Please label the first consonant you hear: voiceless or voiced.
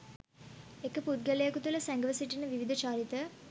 voiceless